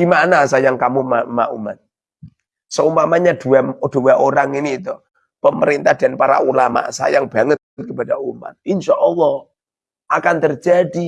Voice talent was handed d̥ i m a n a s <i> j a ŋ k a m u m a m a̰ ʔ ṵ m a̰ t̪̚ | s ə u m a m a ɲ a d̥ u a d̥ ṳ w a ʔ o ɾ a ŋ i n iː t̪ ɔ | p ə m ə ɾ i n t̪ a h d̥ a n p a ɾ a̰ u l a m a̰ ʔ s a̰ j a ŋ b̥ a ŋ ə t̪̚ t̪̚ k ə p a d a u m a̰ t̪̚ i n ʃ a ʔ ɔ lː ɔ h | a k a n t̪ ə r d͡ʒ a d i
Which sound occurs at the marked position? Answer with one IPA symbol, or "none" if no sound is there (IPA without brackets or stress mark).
a